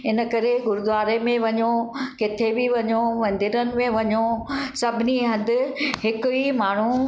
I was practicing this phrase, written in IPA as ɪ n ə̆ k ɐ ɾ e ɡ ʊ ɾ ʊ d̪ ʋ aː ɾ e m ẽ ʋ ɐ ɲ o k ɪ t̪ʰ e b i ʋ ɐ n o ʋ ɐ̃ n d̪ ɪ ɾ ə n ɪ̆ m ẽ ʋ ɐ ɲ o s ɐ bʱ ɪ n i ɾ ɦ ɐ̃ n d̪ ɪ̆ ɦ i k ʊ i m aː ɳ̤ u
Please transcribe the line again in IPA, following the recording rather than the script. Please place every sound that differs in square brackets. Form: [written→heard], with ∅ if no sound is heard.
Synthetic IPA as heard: ɪ n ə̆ k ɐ ɾ e ɡ ʊ ɾ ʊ d̪ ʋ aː ɾ e m ẽ ʋ ɐ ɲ o k ɪ t̪ʰ e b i ʋ ɐ [n→ɲ] o ʋ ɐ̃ n d̪ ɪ ɾ ə n ɪ̆ m ẽ ʋ ɐ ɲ o s ɐ bʱ ɪ n i [ɾ→∅] ɦ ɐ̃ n d̪ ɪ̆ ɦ [i→ɪ] k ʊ i m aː ɳ̤ u